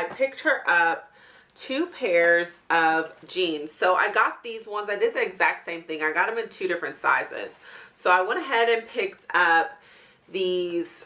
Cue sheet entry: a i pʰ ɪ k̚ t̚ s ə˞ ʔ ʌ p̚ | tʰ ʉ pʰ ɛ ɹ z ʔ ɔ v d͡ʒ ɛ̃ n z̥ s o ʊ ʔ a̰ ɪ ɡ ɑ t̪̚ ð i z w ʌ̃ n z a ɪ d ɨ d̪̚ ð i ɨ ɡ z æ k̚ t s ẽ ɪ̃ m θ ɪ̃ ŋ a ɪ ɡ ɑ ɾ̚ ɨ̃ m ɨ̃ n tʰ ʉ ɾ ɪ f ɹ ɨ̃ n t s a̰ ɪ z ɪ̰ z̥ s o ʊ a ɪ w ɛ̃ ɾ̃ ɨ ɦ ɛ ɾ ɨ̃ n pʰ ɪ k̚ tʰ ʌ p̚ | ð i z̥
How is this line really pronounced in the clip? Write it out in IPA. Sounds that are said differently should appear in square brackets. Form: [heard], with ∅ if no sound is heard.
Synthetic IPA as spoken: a [ɪ] pʰ ɪ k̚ t̚ [h] ə˞ ʔ ʌ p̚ | tʰ ʉ pʰ ɛ ɹ z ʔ [ʌ] v d͡ʒ [ĩ] n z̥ s o ʊ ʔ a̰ ɪ ɡ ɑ t̪̚ ð i z w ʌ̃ n z a ɪ d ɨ d̪̚ ð i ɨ ɡ z æ k̚ t s ẽ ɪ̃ m θ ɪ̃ ŋ a ɪ ɡ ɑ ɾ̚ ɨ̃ m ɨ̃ n tʰ ʉ ɾ ɪ f ɹ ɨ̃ n t s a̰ ɪ z ɪ̰ z̥ s o ʊ a ɪ w ɛ̃ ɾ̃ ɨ ɦ ɛ ɾ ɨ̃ n pʰ ɪ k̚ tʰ ʌ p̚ | ð i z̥